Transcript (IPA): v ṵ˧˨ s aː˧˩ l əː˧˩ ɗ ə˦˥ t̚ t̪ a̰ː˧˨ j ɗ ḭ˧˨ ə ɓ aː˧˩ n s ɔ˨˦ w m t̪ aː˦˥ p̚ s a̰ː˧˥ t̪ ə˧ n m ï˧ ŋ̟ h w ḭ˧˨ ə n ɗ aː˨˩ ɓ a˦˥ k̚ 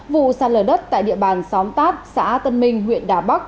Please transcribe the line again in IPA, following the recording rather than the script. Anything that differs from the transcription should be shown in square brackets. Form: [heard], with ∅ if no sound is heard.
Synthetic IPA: v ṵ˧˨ s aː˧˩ l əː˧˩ ɗ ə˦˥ t̚ t̪ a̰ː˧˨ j ɗ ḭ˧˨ ə ɓ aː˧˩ n s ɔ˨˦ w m t̪ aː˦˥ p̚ s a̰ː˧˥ t̪ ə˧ n m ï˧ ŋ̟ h w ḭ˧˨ ə n ɗ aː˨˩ ɓ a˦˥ k̚